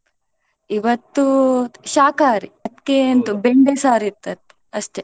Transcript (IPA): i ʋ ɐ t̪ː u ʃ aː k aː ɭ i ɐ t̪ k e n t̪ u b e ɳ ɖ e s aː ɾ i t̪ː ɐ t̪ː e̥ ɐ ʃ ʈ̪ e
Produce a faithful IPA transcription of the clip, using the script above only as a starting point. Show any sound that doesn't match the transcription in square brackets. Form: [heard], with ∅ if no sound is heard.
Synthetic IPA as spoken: i ʋ ɐ t̪ː u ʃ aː k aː [ɾ] i ɐ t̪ k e n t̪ u b e ɳ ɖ e s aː ɾ i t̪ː ɐ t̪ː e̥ ɐ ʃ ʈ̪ e